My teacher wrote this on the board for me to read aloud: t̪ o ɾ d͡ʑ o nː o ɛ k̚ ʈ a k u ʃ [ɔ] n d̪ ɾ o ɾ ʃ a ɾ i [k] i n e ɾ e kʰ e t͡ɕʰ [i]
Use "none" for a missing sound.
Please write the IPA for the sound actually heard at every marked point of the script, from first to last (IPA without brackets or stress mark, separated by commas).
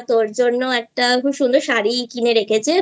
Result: u, k, e